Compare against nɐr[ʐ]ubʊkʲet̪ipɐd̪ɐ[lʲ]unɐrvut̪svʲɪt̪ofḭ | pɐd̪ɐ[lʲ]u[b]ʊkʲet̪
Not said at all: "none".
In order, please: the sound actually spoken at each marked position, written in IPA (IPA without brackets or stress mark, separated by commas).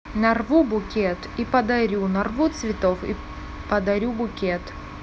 v, ɾʲ, ɾʲ, b